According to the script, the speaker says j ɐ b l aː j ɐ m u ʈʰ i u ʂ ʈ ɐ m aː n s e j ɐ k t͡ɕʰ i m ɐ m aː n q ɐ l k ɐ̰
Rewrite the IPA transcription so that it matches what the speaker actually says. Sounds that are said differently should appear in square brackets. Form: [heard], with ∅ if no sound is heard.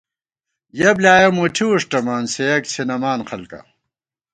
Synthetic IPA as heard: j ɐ b l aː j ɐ m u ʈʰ i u ʂ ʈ ɐ m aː n s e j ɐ k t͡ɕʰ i [n] ɐ m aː n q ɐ l k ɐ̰